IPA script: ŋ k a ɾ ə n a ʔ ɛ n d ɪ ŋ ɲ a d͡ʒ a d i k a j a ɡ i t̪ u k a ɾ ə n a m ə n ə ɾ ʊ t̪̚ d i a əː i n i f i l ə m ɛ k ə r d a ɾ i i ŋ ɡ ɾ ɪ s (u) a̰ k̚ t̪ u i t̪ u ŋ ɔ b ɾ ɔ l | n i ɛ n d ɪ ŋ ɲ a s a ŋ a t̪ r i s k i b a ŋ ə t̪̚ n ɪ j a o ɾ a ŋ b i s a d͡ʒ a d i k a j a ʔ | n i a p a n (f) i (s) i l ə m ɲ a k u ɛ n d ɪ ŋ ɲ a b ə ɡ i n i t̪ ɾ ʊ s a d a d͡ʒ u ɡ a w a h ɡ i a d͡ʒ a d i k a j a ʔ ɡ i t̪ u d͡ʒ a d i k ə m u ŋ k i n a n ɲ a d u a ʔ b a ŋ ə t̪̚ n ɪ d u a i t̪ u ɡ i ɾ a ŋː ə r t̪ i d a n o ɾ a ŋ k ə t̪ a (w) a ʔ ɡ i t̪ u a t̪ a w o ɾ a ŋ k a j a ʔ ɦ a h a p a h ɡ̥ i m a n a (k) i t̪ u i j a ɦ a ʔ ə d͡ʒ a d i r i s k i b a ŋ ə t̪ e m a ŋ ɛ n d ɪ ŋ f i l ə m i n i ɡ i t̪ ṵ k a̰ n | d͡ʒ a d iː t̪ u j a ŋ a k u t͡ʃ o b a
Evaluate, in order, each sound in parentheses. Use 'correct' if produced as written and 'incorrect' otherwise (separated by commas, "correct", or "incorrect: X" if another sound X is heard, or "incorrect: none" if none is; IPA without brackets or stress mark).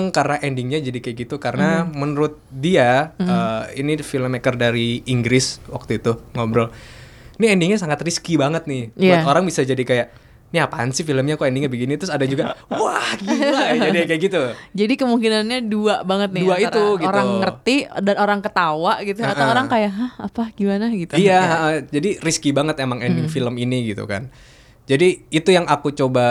incorrect: w, incorrect: s, incorrect: f, correct, incorrect: ɡ